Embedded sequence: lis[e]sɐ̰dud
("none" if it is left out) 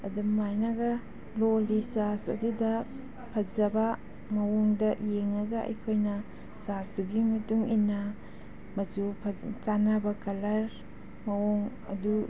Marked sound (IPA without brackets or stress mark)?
a